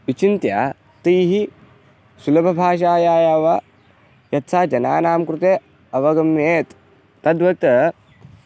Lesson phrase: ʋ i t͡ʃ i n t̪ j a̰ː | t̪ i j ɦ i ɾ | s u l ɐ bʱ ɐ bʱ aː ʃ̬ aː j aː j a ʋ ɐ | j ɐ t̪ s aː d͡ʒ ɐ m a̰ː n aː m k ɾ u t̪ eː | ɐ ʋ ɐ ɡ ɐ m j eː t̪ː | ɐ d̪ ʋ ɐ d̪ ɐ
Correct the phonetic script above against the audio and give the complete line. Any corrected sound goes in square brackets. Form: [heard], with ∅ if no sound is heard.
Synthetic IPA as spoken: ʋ i t͡ʃ i n t̪ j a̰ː | t̪ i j ɦ i [∅] | s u l ɐ bʱ ɐ bʱ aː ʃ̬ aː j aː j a ʋ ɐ | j ɐ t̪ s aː d͡ʒ ɐ [n] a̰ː n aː m k ɾ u t̪ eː | ɐ ʋ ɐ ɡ ɐ m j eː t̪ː | ɐ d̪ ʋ ɐ [t̪] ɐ